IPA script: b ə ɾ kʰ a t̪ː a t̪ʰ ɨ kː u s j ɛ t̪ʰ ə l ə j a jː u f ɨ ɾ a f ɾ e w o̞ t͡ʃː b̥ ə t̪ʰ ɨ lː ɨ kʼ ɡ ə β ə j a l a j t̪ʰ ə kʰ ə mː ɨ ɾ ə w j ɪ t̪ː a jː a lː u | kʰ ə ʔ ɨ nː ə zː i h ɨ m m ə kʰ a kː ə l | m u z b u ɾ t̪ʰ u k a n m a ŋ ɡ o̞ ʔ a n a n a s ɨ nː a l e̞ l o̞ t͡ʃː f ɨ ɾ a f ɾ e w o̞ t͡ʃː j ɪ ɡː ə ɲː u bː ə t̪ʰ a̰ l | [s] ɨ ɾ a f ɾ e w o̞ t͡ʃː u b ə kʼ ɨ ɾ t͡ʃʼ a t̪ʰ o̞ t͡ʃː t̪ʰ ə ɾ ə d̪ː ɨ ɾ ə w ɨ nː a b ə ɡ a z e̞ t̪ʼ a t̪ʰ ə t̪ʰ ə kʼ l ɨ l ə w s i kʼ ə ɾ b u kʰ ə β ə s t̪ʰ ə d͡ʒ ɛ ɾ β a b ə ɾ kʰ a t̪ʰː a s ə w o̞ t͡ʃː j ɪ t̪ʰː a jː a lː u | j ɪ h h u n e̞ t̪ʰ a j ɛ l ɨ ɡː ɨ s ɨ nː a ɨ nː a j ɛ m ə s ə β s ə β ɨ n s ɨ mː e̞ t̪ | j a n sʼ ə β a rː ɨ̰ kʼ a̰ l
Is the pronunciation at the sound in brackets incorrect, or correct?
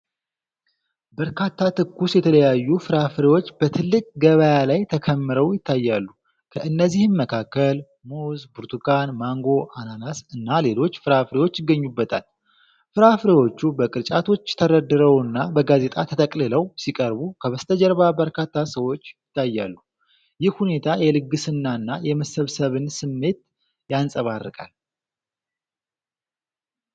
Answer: incorrect